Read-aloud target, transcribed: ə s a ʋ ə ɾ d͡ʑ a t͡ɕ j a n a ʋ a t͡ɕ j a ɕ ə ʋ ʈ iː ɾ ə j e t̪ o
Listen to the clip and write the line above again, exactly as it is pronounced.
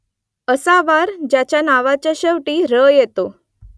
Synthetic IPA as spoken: ə s a ʋ a ɾ d͡ʑ a t͡ɕ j a n a ʋ a t͡ɕ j a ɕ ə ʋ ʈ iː ɾ ə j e t̪ o